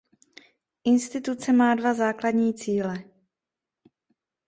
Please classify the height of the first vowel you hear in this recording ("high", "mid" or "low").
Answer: high